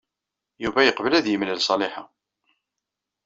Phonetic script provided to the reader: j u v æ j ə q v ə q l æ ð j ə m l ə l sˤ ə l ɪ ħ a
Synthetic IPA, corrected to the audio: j u v æ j ə q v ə l æ ð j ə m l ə l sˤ ɑ l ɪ ħ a